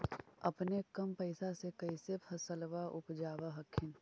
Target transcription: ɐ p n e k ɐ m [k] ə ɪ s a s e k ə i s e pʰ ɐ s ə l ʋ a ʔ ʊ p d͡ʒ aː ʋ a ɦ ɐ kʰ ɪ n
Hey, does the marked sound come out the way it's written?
no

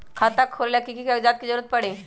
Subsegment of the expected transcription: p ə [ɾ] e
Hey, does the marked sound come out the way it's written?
no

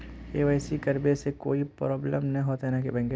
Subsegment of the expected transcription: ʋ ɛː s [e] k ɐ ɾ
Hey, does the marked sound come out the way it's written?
no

